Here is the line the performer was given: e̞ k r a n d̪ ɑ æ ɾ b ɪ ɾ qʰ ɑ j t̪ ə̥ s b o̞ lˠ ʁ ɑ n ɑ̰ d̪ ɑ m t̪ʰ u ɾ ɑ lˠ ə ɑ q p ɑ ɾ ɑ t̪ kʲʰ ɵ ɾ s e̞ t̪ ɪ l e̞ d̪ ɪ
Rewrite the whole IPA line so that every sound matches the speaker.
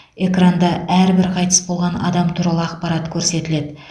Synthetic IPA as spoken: e̞ k r a n d̪ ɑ æ ɾ b ɪ ɾ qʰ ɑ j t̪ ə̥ s b o̞ lˠ ʁ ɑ n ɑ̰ d̪ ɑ m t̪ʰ u ɾ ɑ lˠ ə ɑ q p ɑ ɾ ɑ t̪ kʲʰ ɵ ɾ s e̞ t̪ ɪ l e̞ d̪ ɪ